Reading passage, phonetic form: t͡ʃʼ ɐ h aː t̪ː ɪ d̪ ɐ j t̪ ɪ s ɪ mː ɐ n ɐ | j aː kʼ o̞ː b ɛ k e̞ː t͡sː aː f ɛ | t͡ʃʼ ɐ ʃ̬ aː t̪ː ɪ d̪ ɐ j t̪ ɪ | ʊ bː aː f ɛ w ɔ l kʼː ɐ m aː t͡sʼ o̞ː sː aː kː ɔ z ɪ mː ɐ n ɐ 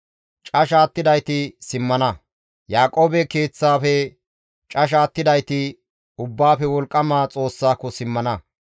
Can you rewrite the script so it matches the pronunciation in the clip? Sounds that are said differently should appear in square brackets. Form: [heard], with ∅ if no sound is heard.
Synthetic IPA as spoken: t͡ʃʼ ɐ [ʃ] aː t̪ː ɪ d̪ ɐ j t̪ ɪ s ɪ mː ɐ n ɐ | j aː kʼ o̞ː b ɛ k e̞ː t͡sː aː f ɛ | t͡ʃʼ ɐ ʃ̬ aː t̪ː ɪ d̪ ɐ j t̪ ɪ | ʊ bː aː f ɛ w ɔ l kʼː ɐ m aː t͡sʼ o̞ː sː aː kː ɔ [s] ɪ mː ɐ n ɐ